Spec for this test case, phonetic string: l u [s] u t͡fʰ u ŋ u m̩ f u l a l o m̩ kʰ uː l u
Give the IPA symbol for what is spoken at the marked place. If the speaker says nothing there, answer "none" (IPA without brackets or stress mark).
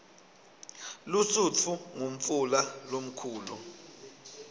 s